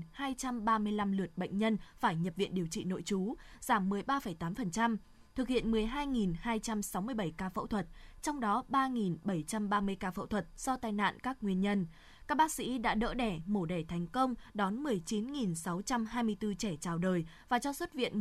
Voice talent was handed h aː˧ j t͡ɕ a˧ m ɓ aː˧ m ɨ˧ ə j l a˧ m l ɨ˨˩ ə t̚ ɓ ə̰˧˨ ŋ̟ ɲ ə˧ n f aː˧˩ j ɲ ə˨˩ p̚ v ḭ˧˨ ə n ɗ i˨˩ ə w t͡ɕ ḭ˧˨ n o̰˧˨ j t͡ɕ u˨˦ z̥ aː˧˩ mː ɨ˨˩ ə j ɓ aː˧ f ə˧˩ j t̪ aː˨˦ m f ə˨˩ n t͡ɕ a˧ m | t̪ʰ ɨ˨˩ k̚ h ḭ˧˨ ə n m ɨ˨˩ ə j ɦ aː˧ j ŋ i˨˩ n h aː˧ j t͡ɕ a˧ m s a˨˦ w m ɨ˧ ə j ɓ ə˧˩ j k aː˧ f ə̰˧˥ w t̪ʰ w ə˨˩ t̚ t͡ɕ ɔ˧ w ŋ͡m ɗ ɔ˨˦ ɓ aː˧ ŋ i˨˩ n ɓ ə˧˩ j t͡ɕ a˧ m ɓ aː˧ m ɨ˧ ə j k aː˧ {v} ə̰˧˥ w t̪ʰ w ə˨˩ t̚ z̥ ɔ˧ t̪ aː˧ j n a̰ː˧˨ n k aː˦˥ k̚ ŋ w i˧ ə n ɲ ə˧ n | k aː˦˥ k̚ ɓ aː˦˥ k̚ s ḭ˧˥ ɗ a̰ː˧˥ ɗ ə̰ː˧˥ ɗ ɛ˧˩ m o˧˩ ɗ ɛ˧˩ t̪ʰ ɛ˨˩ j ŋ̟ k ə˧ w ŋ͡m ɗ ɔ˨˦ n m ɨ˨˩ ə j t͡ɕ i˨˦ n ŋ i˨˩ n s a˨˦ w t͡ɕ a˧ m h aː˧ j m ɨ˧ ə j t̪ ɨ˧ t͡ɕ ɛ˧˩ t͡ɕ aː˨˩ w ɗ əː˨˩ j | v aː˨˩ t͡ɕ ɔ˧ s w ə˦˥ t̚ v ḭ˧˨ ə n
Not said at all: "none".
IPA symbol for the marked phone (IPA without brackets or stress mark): f